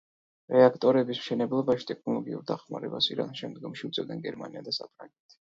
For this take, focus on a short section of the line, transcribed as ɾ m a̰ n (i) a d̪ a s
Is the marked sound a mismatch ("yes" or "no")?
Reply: no